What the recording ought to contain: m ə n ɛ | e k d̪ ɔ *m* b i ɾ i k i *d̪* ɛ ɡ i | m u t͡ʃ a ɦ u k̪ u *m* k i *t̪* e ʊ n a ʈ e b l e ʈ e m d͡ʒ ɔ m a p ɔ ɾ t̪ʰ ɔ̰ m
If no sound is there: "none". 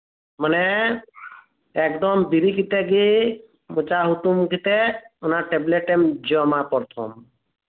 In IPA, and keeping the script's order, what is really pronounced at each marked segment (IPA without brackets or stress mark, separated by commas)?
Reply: m, t̪, m, t̪